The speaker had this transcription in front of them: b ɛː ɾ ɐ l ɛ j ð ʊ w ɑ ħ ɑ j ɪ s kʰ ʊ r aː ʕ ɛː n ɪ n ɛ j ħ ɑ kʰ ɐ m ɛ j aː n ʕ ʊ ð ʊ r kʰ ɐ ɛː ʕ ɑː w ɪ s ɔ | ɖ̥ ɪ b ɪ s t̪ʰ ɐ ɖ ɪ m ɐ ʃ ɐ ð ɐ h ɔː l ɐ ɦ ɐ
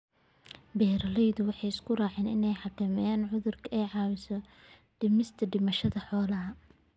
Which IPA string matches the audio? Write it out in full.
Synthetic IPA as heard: b ɛː ɾ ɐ l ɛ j ð ʊ w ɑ ħ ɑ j ɪ s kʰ ʊ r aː ʕ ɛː n ɪ n ɛ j ħ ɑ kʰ ɐ m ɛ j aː n ʕ ʊ ð ʊ r kʰ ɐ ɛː ʕ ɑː w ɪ s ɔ | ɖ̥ ɪ m ɪ s t̪ʰ ɐ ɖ ɪ m ɐ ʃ ɐ ð ɐ ħ ɔː l ɐ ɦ ɐ

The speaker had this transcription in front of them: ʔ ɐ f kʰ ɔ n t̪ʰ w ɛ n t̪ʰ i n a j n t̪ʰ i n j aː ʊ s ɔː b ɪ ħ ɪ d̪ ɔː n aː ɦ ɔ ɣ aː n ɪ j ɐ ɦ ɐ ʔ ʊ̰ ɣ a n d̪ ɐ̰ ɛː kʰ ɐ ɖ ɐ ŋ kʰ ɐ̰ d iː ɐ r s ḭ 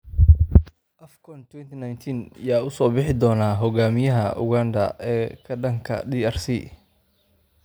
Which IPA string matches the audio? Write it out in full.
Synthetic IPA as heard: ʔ ɐ f kʰ ɔ n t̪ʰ w ɛ n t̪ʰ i n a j n t̪ʰ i n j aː ʊ s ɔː b ɪ ħ ɪ d̪ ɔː n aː ɦ ɔ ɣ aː m ɪ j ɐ ɦ ɐ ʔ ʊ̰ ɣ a n d̪ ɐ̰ ɛː kʰ ɐ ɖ ɐ ŋ kʰ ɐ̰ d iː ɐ r s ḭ

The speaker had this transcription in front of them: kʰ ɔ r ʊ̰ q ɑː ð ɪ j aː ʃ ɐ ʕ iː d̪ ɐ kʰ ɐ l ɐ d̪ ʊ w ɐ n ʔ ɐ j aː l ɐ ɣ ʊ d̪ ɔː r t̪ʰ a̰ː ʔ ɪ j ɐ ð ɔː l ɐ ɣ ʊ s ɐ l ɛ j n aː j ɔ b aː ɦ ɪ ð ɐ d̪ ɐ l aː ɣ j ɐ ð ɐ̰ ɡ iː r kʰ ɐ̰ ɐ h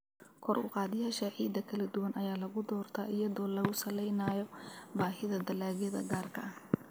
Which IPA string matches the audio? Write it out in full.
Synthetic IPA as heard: kʰ ɔ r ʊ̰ q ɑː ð ɪ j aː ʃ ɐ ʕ iː d̪ ɐ kʰ ɐ l ɐ d̪ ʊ w ɐ n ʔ ɐ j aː l ɐ ɣ ʊ d̪ ɔː r t̪ʰ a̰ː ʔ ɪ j ɐ ð ɔː l ɐ ɣ ʊ s ɐ l ɛ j n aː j ɔ b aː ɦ ɪ ð ɐ d̪ ɐ l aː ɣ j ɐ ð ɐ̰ ɡ aː r kʰ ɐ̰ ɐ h

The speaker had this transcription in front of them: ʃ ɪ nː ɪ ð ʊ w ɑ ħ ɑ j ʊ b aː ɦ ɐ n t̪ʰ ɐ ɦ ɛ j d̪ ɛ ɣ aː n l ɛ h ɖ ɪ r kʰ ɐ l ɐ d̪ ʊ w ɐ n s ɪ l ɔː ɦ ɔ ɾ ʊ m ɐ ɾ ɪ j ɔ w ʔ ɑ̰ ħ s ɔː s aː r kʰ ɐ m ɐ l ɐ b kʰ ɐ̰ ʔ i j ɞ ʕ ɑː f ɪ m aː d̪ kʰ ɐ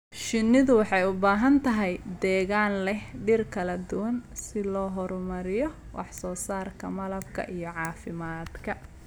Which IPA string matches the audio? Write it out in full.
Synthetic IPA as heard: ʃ ɪ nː ɪ ð ʊ w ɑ ħ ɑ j ʊ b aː ɦ ɐ n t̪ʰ ɐ ɦ ɛ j d̪ ɛː ɣ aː n l ɛ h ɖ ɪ r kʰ ɐ l ɐ d̪ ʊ w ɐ n s ɪ l ɔː ɦ ɔ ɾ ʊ m ɐ ɾ ɪ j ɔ w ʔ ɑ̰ ħ s ɔː s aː r kʰ ɐ m ɐ l ɐ b kʰ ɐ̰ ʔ i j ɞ ʕ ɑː f ɪ m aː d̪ kʰ ɐ

